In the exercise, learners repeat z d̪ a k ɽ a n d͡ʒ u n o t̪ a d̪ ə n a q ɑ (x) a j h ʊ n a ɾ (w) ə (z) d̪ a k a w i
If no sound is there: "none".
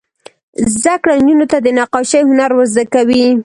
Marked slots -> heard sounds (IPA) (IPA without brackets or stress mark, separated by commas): ʃ, w, z